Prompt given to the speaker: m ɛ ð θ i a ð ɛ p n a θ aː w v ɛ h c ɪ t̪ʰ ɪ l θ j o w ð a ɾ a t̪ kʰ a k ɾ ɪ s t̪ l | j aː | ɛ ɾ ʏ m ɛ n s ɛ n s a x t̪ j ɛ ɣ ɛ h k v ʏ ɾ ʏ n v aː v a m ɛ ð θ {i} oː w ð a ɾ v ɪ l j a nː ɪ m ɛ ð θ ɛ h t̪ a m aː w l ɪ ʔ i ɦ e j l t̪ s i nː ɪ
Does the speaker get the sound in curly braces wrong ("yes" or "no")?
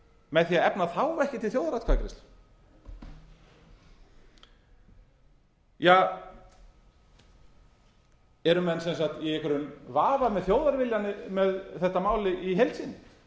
yes